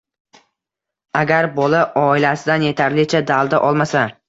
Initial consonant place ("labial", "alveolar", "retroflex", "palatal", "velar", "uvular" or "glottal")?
velar